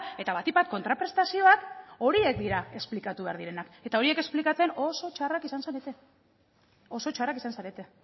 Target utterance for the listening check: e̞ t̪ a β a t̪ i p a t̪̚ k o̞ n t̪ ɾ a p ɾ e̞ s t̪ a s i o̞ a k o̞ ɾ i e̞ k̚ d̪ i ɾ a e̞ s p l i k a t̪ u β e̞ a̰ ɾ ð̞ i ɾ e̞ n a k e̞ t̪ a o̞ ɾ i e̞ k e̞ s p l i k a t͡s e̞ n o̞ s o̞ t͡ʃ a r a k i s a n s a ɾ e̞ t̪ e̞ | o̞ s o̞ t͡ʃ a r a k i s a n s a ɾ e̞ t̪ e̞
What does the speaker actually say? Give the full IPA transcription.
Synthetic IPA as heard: e̞ t̪ a β a t̪ i p a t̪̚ k o̞ n t̪ ɾ a p ɾ e̞ s t̪ a s i o̞ a k o̞ ɾ i e̞ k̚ d̪ i ɾ a e̞ s p l i k a t̪ u β e̞ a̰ ɾ ð̞ i ɾ e̞ n a k e̞ t̪ a o̞ ɾ i e̞ k e̞ s p l i k a t͡s e̞ n o̞ s o̞ t͡ʃ a r a k i s a n s a ɾ e̞ t̪ e̞ | o̞ s o̞ t͡ʃ a r a k i s a n s a ɾ e̞ t̪ e̞